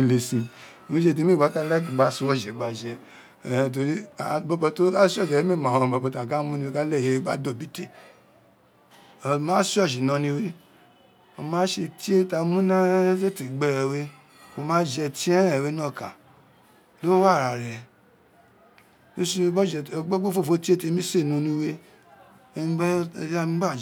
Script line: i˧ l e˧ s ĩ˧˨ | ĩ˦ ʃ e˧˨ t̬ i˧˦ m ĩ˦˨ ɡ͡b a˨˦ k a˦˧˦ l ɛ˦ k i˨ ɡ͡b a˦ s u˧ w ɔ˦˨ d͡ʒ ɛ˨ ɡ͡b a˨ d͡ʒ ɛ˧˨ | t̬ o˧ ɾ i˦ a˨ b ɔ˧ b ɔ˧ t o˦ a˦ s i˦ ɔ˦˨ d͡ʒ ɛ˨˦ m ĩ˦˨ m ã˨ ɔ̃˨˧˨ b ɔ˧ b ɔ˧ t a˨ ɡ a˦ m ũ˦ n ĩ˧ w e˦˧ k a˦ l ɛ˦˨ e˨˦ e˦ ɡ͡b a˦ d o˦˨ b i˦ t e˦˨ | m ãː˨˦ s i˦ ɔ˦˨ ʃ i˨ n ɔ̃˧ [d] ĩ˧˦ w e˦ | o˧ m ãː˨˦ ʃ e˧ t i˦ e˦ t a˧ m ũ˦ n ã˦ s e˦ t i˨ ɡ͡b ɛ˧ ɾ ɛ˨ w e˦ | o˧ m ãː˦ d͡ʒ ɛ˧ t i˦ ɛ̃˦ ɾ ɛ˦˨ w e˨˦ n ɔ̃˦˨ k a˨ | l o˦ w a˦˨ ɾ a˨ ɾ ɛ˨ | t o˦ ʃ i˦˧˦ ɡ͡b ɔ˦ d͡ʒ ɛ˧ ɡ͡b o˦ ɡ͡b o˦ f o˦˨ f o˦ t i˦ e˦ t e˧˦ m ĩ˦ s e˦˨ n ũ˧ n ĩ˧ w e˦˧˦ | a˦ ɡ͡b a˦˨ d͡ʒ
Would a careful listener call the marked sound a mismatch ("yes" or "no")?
yes